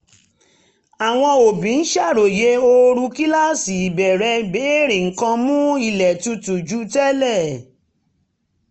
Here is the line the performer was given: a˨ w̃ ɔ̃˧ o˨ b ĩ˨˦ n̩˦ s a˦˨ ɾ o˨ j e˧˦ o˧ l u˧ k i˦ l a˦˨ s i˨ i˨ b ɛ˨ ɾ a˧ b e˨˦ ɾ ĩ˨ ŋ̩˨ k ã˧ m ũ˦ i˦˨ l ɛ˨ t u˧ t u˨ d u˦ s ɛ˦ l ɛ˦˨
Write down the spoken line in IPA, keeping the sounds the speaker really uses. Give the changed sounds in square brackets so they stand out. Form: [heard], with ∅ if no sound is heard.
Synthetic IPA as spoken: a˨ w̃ ɔ̃˧ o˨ b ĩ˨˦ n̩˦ [ʃ] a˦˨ ɾ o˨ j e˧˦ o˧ [ɾ] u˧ k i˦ l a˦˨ s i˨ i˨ b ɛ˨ ɾ [ɛ˧] b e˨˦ ɾ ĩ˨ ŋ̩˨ k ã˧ m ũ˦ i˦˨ l ɛ˨ t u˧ t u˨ [d͡ʒ] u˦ [t] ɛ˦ l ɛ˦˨

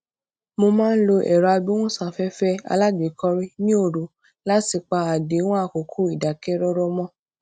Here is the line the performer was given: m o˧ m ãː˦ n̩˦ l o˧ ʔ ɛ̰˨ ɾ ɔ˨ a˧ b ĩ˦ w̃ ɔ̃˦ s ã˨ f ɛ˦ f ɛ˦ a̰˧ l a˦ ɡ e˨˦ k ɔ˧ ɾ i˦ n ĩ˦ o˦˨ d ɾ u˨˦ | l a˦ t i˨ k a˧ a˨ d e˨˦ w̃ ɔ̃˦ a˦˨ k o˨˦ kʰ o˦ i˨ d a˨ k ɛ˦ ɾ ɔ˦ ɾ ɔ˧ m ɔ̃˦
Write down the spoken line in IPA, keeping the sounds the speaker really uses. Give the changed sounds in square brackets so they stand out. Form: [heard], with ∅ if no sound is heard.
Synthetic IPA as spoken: m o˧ m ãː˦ n̩˦ l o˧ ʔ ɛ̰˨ ɾ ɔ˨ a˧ b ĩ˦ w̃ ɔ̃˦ s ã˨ f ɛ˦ f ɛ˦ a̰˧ l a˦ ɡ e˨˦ k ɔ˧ ɾ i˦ n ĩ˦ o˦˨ [∅] ɾ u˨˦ | l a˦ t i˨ [k͡p] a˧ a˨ d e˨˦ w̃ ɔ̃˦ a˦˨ k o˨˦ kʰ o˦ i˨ d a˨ k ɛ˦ ɾ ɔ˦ ɾ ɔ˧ m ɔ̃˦

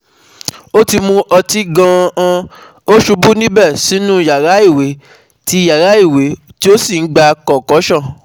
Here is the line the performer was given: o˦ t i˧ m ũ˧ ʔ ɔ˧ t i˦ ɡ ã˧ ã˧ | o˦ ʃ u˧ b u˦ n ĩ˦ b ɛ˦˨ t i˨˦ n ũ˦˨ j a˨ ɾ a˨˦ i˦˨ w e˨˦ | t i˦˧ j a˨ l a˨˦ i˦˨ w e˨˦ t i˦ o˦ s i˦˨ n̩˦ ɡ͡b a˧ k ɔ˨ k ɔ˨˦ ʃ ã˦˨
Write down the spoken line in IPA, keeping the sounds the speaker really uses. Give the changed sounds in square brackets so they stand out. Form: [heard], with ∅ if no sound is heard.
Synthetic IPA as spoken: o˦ t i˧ m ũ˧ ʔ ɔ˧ t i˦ ɡ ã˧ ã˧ | o˦ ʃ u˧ b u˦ n ĩ˦ b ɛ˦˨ [s] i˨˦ n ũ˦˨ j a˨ ɾ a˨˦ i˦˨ w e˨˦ | t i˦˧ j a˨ [ɾ] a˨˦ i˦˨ w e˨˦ t i˦ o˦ s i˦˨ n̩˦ ɡ͡b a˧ k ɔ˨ k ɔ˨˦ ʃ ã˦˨

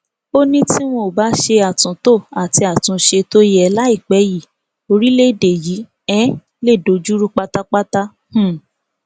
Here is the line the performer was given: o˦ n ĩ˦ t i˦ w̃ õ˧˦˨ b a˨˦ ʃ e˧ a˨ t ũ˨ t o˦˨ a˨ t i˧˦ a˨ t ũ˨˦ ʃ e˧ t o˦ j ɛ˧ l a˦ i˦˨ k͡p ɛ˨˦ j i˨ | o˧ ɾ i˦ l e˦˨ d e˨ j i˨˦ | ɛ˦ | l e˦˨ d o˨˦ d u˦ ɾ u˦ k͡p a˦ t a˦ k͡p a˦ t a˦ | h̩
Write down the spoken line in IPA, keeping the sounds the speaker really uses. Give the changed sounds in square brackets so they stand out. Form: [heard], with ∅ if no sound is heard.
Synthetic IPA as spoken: o˦ n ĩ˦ t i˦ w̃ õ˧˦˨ b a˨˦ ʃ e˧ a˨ t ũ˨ t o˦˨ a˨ t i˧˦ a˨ t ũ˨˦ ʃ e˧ t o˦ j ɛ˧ l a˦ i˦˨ k͡p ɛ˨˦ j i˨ | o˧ ɾ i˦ l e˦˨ d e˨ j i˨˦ | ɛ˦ | l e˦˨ d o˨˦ [d͡ʒ] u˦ ɾ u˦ k͡p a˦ t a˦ k͡p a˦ t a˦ | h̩

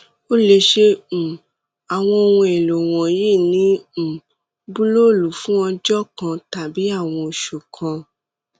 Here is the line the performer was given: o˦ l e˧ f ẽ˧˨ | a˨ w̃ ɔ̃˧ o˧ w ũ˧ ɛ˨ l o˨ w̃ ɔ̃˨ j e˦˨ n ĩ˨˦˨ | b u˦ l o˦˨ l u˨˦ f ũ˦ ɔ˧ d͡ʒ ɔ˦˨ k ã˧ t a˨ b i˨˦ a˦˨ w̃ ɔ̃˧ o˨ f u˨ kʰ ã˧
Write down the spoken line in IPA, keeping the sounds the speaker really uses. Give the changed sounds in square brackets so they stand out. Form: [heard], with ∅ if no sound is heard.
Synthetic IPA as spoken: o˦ l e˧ [ʃ] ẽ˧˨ | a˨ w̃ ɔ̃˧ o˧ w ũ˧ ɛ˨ l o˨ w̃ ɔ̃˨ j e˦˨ n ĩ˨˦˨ | b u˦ l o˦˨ l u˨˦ f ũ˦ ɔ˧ d͡ʒ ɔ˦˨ k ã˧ t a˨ b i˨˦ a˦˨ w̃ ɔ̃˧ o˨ [ʃ] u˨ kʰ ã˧

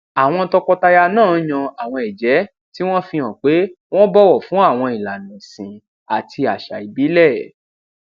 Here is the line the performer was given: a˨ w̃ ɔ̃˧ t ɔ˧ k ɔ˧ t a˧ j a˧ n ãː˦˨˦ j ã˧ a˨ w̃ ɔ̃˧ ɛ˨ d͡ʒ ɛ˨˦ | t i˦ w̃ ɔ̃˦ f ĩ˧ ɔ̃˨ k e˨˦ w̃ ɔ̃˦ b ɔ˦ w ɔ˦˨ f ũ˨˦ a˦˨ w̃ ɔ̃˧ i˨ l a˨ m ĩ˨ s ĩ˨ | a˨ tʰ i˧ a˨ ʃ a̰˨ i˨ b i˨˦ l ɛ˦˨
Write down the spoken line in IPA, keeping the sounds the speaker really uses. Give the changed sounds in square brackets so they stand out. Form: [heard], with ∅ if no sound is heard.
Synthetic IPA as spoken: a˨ w̃ ɔ̃˧ t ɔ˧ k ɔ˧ t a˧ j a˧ n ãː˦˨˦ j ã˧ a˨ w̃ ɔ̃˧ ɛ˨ d͡ʒ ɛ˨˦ | t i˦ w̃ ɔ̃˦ f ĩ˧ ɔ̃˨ [k͡p] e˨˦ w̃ ɔ̃˦ b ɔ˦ w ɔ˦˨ f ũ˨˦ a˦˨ w̃ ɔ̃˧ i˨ l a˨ [n] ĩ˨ s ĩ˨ | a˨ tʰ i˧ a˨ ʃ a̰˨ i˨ b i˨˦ l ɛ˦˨

